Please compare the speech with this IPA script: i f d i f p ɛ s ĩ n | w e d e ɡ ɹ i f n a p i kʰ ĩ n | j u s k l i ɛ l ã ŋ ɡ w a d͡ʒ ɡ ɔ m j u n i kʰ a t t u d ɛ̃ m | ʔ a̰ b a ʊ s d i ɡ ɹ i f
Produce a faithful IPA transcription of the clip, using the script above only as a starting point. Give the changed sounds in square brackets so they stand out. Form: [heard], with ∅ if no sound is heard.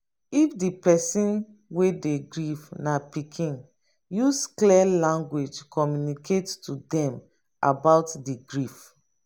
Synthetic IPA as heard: i f d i [∅] p ɛ s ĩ n | w e d e ɡ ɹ i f n a p i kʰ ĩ n | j u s k l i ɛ l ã ŋ ɡ w [e] d͡ʒ [k] ɔ m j u n i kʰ [e] t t u d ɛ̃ m | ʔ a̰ b a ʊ [t] d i ɡ ɹ i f